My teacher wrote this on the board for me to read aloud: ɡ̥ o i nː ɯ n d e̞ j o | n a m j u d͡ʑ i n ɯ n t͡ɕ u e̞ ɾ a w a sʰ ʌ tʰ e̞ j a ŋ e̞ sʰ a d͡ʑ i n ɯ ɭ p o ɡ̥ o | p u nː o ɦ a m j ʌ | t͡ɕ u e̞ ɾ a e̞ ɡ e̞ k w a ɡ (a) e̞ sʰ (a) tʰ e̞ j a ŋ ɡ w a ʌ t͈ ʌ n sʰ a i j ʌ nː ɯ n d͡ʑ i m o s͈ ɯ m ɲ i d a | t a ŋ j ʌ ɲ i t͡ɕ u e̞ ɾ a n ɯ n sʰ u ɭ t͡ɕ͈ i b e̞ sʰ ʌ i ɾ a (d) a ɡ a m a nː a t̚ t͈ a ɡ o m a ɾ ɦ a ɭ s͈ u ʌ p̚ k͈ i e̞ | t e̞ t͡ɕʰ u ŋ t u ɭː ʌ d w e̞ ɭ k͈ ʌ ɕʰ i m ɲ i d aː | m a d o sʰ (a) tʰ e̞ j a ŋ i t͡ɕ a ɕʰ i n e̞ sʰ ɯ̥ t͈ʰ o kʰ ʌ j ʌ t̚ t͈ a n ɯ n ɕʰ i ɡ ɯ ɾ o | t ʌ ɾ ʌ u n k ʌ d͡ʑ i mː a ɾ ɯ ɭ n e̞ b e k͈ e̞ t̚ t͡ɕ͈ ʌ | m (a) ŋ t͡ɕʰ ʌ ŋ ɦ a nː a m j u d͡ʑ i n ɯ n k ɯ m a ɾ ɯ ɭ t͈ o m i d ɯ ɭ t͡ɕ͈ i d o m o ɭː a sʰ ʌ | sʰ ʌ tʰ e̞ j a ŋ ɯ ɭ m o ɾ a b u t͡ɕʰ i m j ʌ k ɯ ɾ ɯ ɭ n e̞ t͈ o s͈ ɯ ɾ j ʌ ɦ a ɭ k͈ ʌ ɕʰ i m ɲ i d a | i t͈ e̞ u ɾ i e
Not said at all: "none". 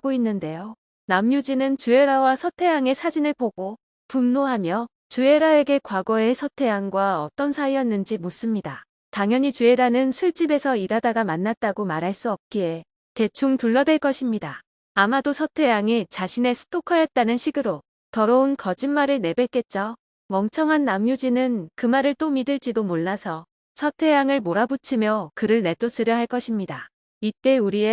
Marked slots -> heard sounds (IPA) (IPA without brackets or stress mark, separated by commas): ʌ, ʌ, d, ʌ, ʌ